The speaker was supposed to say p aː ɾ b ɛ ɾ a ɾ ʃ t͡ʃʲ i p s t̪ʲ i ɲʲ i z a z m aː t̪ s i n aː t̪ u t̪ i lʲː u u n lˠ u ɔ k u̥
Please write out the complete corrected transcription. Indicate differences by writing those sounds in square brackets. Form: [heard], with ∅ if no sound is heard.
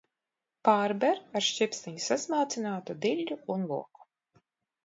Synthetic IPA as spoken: p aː ɾ b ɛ ɾ a ɾ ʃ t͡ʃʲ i p s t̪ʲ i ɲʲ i [s] a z m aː t̪ s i n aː t̪ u [d̪] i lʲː u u n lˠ u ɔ k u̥